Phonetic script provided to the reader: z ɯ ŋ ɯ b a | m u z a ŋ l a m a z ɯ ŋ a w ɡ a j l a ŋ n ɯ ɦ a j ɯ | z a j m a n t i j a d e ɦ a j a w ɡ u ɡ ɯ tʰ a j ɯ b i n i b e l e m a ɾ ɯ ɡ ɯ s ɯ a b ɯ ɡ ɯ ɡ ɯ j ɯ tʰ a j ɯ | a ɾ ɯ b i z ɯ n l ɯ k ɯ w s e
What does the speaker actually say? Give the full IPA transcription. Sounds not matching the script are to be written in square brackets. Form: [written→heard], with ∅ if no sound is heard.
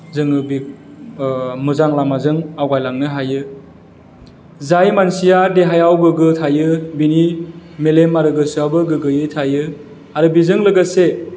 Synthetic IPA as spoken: z ɯ ŋ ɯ b [a→i] | m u z a ŋ l a m a z ɯ ŋ a w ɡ a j l a ŋ n ɯ ɦ a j ɯ | z a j m a n [t→s] i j a d e ɦ a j a w ɡ [u→ɯ] ɡ ɯ tʰ a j ɯ b i n i [b→m] e l e m a ɾ ɯ ɡ ɯ s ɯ a b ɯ ɡ ɯ ɡ ɯ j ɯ tʰ a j ɯ | a ɾ ɯ b i z ɯ [n→ŋ] l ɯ [k→ɡ] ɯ [w→∅] s e